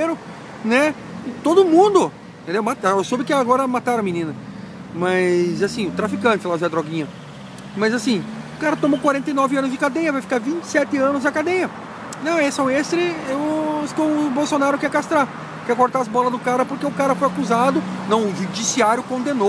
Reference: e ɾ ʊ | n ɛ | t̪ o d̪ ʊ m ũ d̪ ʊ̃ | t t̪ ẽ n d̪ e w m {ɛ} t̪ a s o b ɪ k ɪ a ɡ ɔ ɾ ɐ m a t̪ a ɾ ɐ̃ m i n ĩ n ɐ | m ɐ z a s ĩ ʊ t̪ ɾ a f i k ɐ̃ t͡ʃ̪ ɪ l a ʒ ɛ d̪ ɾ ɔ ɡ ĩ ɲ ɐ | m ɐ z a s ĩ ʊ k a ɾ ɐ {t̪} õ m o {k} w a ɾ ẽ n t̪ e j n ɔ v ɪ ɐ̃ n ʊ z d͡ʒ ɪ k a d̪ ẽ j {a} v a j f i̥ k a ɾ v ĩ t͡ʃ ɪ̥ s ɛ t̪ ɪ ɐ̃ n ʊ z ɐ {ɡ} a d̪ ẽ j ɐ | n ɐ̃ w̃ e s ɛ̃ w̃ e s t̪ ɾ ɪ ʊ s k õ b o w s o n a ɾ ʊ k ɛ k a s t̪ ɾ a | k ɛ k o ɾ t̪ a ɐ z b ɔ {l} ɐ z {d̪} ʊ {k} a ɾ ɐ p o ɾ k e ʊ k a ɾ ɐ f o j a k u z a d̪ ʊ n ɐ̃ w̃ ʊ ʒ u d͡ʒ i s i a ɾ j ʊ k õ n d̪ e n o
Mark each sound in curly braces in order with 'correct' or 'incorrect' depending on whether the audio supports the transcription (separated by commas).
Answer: incorrect, correct, correct, incorrect, incorrect, correct, correct, correct